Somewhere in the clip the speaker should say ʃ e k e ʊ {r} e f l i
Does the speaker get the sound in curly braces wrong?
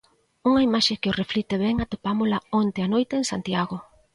no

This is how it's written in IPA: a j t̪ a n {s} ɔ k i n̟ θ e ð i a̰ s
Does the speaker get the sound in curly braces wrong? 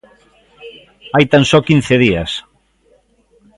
no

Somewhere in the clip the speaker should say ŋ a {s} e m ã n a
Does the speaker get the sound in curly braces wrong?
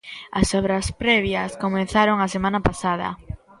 no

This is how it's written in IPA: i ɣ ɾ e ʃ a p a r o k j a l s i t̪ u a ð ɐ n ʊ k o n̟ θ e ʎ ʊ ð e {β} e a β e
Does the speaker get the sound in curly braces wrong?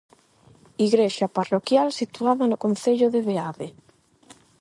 no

